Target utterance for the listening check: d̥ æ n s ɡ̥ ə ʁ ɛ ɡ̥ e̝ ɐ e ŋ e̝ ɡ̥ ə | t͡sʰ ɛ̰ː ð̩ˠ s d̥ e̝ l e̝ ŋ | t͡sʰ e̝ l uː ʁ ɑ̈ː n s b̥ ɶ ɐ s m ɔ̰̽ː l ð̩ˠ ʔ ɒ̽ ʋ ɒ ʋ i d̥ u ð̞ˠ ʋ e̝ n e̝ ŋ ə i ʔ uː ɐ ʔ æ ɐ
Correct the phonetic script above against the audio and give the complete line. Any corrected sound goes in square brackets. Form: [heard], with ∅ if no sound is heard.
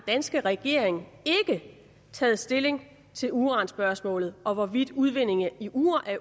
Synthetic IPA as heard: d̥ æ n s ɡ̥ ə ʁ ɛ ɡ̥ e̝ ɐ e ŋ e̝ ɡ̥ ə | t͡sʰ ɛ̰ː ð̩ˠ s d̥ e̝ l e̝ ŋ | t͡sʰ e̝ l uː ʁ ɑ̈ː n s b̥ ɶ ɐ s m ɔ̰̽ː l ð̩ˠ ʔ ɒ̽ ʋ ɒ ʋ i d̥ u ð̞ˠ ʋ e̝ n e̝ ŋ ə i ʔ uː ɐ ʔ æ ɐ